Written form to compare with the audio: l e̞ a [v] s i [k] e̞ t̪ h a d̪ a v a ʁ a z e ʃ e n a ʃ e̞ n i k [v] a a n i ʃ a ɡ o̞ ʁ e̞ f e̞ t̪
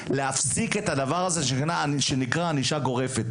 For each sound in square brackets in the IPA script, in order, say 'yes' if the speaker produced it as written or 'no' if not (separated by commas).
no, yes, no